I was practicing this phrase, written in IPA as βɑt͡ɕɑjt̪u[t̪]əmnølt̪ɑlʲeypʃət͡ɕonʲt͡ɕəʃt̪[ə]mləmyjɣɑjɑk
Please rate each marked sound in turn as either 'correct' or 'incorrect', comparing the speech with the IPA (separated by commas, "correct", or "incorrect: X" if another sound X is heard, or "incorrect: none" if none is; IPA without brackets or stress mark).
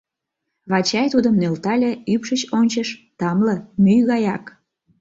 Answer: incorrect: d̪, incorrect: ɑ